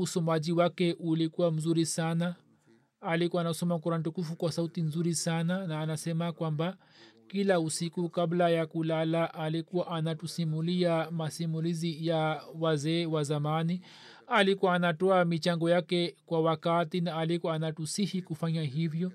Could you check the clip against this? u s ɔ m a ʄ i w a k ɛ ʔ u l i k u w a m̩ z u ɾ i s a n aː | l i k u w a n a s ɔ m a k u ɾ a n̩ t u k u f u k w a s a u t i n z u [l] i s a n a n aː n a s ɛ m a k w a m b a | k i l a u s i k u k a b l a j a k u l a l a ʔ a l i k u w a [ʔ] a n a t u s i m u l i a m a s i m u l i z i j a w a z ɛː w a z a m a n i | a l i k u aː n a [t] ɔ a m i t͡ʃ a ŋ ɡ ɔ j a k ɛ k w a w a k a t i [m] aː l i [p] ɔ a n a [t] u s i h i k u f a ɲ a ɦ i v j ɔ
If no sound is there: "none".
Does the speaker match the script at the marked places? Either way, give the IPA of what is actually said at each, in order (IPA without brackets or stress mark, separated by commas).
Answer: ɾ, ʔ, t, n, k, t